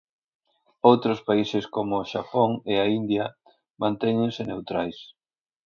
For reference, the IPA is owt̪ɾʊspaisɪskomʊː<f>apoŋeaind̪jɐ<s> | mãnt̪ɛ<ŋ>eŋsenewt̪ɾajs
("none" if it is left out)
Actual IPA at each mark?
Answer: ʃ, none, ɲ

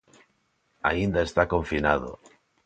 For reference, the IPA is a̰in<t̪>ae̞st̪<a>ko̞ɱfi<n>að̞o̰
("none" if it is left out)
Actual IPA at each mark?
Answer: d̪, a, n

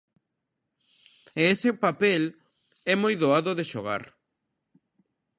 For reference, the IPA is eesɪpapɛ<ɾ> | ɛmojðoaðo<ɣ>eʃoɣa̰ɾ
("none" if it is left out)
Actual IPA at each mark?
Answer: l, ð

